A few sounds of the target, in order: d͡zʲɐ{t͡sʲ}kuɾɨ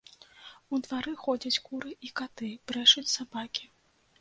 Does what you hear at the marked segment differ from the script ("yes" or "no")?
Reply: no